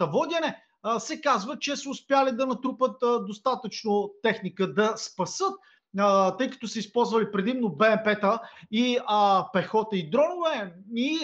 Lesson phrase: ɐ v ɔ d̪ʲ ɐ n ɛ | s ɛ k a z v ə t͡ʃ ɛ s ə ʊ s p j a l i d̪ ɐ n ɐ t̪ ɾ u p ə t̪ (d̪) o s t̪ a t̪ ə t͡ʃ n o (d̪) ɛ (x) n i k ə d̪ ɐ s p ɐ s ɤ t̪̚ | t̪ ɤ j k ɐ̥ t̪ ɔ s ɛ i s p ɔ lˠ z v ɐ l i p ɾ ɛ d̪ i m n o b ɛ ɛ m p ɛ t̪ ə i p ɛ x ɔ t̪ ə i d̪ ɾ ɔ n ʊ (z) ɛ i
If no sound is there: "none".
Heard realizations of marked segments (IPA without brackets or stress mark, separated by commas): d̪, t̪, x, v